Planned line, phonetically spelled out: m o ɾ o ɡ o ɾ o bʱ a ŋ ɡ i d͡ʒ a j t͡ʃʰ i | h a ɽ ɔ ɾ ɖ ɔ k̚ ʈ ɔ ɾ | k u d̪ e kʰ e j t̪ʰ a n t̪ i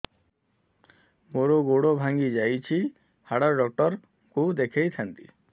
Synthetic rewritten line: m o ɾ o ɡ o ɽ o bʱ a ŋ ɡ i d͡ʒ a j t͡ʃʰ i | h a ɽ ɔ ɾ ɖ ɔ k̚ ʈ ɔ ɾ | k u d̪ e kʰ e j t̪ʰ a n t̪ i